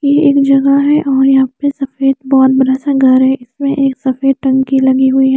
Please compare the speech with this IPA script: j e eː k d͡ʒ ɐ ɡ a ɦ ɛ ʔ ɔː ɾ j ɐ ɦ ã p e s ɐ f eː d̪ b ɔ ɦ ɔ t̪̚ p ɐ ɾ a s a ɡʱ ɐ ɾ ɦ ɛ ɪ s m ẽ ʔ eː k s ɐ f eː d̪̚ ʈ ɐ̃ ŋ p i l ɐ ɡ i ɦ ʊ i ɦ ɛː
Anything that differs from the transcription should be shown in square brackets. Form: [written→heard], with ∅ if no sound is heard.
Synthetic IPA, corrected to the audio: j e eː k d͡ʒ ɐ ɡ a ɦ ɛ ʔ ɔː ɾ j ɐ ɦ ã p e s ɐ f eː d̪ b ɔ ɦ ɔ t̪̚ [p→b] ɐ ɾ a s a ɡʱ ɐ ɾ ɦ ɛ ɪ s m ẽ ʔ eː k s ɐ f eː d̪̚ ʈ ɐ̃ ŋ [p→k] i l ɐ ɡ i ɦ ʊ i ɦ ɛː